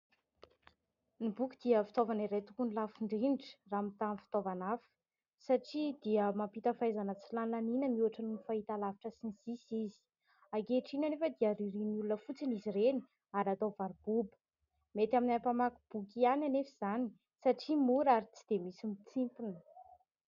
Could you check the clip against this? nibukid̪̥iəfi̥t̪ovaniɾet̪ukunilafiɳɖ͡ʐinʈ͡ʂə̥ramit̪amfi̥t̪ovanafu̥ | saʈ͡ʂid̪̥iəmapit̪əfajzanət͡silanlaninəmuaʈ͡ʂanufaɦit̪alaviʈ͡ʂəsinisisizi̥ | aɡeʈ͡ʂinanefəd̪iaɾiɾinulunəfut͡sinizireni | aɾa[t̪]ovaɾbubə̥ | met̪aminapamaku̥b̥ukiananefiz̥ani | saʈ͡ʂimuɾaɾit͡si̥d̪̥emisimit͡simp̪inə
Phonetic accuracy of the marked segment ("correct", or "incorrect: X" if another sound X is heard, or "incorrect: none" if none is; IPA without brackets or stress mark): correct